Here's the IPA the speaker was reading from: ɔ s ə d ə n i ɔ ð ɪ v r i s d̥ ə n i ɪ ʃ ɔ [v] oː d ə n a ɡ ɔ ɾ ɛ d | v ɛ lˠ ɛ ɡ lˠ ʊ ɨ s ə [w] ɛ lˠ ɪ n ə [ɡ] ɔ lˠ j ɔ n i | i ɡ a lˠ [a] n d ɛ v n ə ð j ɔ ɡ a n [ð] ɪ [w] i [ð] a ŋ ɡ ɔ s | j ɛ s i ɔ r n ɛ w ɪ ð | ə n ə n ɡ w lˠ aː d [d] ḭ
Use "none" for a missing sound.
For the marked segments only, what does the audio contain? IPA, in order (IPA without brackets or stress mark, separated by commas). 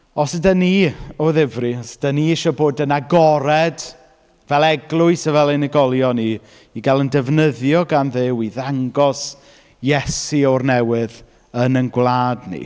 b, v, ɡ, ə, ð, w, ð, n